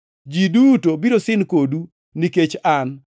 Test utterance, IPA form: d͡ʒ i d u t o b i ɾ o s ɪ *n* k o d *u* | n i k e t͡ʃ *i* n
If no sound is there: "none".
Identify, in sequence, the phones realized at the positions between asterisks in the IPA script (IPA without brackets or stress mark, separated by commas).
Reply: n, u, a